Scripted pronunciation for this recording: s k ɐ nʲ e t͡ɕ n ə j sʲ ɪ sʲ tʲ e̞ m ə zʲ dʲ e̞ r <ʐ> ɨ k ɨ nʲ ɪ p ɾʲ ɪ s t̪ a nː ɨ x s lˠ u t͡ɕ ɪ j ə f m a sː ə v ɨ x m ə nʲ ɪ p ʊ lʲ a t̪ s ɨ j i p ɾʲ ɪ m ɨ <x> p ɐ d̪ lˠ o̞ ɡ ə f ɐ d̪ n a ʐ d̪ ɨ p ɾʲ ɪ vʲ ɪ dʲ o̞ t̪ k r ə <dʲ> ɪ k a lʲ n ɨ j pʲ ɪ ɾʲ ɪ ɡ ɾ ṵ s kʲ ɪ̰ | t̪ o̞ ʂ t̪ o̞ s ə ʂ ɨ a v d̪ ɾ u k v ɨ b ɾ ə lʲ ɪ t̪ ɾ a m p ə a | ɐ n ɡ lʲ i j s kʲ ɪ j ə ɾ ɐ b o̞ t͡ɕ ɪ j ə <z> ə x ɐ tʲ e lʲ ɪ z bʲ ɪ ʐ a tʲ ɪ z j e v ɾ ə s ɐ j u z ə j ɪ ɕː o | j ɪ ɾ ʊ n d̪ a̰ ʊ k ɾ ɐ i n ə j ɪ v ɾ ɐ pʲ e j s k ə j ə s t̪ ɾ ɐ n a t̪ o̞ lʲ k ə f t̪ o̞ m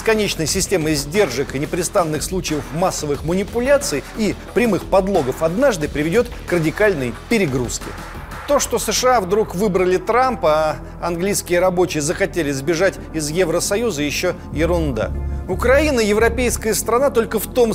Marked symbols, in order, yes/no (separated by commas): yes, yes, yes, yes